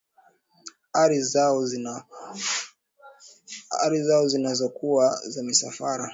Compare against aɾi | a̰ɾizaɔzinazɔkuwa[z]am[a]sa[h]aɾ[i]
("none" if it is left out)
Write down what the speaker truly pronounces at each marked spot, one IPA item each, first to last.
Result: z, i, f, a

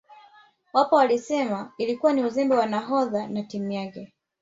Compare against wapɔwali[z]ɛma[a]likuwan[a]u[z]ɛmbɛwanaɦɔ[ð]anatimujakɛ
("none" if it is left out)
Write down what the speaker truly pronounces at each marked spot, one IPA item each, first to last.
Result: s, i, i, z, ð

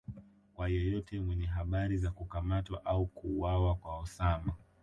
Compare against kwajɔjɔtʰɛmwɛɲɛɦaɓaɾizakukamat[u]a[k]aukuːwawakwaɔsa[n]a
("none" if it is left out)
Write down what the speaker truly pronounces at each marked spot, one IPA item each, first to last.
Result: w, ʔ, m

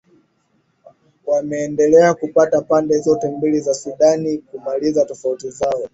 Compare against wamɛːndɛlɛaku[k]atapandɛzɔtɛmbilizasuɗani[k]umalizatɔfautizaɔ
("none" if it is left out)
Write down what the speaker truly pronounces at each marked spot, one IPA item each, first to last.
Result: p, k

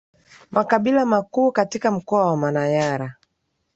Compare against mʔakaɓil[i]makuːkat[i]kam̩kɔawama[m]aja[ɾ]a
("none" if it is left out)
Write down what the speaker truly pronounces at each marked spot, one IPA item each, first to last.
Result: a, i, n, ɾ

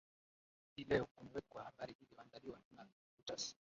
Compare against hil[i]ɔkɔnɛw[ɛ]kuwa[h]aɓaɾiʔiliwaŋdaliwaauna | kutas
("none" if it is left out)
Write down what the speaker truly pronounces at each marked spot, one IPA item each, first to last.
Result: ɛ, ɛ, h

